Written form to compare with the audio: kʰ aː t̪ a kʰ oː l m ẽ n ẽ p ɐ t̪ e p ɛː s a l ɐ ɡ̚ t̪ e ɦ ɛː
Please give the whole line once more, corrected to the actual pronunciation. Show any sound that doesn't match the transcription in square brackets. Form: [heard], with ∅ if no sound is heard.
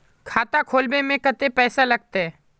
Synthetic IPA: kʰ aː t̪ a kʰ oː l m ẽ [m] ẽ [k] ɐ t̪ e p ɛː s a l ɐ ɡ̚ t̪ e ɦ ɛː

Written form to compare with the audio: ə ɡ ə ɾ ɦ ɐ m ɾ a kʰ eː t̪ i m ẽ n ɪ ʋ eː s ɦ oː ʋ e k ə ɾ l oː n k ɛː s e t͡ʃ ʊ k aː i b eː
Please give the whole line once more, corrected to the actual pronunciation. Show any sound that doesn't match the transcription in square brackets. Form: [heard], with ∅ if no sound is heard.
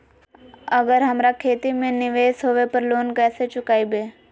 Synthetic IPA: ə ɡ ə ɾ ɦ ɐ m ɾ a kʰ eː t̪ i m ẽ n ɪ ʋ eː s ɦ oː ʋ e [p] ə ɾ l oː n k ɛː s e t͡ʃ ʊ k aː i b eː

